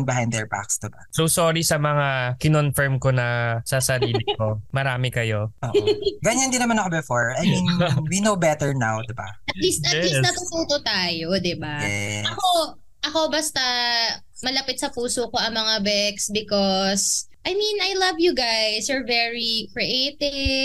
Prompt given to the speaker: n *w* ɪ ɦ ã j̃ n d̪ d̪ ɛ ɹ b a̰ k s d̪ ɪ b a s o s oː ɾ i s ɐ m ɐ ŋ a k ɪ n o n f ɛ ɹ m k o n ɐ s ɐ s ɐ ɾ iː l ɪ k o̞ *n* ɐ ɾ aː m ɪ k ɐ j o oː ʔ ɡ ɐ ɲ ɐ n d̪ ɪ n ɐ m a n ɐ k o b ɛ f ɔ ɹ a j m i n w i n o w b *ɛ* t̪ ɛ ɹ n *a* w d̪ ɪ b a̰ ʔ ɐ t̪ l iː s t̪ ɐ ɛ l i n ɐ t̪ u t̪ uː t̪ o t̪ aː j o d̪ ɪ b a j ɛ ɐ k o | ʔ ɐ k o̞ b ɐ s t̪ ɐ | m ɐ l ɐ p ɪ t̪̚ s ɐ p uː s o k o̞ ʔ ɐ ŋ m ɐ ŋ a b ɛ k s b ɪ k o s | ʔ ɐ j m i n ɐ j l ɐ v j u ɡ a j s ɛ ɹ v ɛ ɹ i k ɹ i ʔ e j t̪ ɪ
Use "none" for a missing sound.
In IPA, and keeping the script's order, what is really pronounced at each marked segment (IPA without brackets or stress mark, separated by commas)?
b, m, ɛ, a